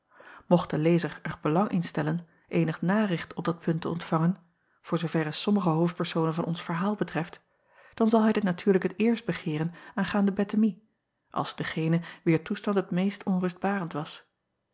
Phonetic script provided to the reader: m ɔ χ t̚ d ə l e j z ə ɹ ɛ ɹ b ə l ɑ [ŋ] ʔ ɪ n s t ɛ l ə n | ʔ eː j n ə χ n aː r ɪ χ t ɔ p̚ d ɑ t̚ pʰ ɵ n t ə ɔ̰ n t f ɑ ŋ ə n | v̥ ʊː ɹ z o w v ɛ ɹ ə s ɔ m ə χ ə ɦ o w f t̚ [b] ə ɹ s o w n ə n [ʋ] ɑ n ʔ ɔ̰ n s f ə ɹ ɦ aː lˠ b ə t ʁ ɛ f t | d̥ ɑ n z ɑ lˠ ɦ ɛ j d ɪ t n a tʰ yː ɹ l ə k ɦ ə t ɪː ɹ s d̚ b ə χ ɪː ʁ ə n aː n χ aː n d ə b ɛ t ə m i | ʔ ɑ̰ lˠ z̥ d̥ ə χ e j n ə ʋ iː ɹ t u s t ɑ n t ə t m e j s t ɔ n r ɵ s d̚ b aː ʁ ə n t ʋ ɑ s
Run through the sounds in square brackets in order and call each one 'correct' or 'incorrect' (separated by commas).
correct, incorrect, incorrect